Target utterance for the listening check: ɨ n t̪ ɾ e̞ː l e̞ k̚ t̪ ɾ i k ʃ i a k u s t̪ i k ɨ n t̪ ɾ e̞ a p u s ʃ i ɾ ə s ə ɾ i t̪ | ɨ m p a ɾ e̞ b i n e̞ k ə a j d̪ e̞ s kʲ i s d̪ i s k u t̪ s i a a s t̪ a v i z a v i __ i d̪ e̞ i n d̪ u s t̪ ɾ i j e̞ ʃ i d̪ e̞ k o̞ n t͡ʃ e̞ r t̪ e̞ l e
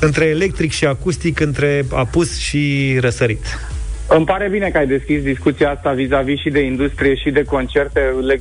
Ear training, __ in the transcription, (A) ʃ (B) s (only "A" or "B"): A